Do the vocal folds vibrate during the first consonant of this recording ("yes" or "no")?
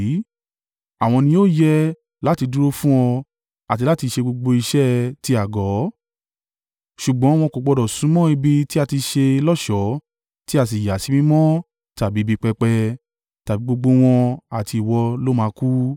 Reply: yes